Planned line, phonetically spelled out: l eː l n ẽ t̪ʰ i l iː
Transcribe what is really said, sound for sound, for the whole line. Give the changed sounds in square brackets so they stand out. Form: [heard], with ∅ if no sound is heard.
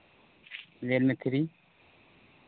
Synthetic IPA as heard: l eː l [m] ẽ t̪ʰ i [ɾ] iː